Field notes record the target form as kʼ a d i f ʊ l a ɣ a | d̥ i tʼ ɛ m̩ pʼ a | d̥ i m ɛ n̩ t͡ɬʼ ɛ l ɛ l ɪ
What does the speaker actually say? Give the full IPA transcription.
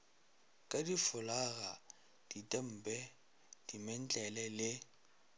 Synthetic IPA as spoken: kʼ a d i f ʊ l a ɣ a | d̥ i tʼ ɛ m̩ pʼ ɛ | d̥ i m ɛ n̩ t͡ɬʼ ɛ l ɛ l ɪ

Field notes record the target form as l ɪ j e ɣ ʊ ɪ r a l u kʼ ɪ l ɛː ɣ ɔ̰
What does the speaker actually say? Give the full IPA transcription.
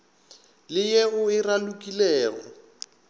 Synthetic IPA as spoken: l ɪ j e ɣ ʊ ɪ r a l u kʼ i l ɛː ɣ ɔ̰

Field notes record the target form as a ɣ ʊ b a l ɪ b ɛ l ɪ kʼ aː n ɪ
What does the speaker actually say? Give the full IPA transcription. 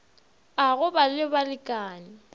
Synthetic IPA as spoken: a ɣ ʊ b a l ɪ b a l ɪ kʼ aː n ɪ

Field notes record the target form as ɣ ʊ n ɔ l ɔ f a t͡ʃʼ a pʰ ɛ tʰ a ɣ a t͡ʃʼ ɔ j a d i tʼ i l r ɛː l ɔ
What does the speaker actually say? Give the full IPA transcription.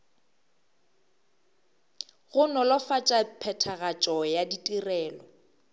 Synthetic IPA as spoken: ɣ ʊ n ɔ l ɔ f a t͡ʃʼ a pʰ ɛ tʰ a ɣ a t͡ʃʼ ɔ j a d i tʼ i r ɛː l ɔ

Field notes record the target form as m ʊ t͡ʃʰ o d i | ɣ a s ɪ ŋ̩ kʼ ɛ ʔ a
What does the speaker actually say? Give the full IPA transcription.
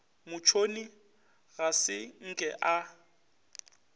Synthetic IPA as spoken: m ʊ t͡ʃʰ o n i | ɣ a s ɪ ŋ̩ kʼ ɛ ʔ a

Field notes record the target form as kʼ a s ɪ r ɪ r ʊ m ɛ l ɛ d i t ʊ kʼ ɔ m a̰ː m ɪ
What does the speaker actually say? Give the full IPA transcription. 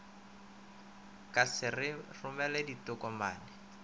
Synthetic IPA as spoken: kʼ a s ɪ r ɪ r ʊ m ɛ l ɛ d i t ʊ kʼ ɔ m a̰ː n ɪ

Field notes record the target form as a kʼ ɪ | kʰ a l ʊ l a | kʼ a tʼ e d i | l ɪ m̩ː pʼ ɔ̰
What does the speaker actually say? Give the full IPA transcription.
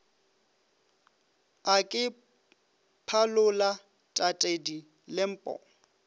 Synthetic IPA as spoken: a kʼ ɪ | pʰ a l ʊ l a | tʼ a tʼ e d i | l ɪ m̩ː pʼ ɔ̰

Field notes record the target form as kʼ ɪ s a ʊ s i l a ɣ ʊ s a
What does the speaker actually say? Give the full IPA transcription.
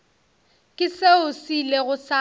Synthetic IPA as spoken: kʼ ɪ s e ʊ s i l e ɣ ʊ s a

